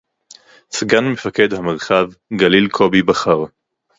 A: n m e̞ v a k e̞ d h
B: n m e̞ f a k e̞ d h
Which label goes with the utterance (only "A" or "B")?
B